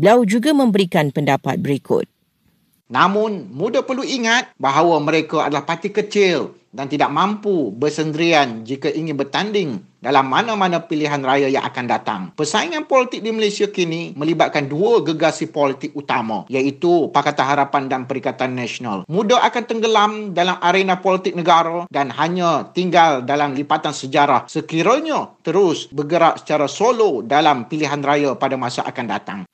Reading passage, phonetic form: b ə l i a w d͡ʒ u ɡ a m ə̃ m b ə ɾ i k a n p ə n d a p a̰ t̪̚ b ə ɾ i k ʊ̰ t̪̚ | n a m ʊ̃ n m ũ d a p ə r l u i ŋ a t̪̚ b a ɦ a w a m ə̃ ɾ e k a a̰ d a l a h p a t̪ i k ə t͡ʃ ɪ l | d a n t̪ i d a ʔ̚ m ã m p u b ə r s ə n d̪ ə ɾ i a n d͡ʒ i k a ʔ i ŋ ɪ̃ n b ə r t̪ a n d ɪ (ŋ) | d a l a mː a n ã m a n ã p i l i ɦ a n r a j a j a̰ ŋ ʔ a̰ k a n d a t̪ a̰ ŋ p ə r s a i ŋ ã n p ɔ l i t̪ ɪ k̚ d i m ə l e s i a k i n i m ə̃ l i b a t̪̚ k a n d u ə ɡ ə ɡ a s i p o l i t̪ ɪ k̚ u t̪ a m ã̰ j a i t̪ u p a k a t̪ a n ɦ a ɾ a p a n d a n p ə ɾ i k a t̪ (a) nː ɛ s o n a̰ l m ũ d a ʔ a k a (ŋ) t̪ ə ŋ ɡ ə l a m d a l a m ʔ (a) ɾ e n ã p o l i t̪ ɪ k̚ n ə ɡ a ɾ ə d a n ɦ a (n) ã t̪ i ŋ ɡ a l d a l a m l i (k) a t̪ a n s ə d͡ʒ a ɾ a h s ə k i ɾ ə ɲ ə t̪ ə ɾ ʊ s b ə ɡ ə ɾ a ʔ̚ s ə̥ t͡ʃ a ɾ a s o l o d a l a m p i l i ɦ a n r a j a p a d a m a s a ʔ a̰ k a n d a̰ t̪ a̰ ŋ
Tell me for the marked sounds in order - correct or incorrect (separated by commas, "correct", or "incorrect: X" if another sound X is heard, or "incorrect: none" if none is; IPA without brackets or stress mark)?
correct, correct, incorrect: n, correct, incorrect: ɲ, incorrect: p